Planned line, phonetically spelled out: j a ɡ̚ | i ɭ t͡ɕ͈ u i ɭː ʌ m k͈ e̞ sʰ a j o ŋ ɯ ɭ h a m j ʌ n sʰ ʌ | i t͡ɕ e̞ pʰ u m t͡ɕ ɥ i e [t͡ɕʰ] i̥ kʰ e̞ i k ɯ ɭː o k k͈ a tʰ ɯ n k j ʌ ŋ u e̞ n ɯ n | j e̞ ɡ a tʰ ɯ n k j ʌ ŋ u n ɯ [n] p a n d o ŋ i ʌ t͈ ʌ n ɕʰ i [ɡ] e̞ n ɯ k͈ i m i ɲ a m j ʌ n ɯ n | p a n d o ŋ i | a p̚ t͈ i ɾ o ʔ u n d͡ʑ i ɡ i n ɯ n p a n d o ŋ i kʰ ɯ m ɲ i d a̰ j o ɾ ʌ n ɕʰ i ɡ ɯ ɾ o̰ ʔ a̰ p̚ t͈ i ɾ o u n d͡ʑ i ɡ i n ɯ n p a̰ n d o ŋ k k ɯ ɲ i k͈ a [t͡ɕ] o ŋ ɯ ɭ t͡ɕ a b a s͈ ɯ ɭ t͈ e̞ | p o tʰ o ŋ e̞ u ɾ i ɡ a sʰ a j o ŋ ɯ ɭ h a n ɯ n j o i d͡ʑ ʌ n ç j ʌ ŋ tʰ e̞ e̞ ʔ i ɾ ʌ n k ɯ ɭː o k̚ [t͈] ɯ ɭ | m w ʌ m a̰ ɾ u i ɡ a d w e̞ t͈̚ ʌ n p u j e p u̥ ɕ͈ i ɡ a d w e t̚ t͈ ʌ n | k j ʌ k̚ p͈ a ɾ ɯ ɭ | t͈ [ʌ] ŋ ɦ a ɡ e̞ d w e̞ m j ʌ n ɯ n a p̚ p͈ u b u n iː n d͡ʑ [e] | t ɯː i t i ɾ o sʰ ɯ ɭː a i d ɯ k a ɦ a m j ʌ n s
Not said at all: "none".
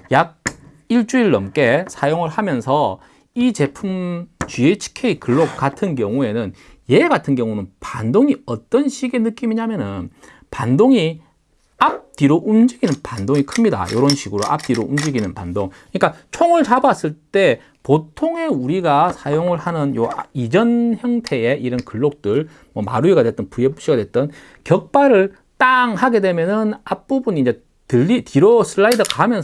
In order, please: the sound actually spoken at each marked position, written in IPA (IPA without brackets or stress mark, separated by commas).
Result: t͡ɕʰ, n, ɡ, t͡ɕʰ, t͈, a, e